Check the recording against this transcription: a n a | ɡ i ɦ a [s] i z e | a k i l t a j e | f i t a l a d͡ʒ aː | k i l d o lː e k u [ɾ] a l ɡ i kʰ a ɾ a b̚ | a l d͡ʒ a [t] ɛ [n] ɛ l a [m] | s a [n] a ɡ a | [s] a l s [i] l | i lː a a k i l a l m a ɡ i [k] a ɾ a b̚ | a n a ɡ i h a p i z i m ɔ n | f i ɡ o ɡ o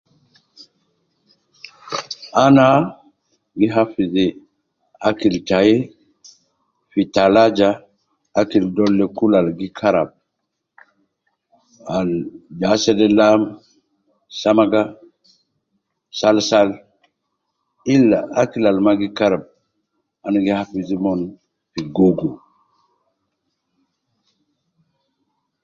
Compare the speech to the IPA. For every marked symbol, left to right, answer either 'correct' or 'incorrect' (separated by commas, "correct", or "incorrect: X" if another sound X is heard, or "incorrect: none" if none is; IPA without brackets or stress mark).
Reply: incorrect: f, incorrect: l, incorrect: s, incorrect: d, correct, incorrect: m, correct, incorrect: a, correct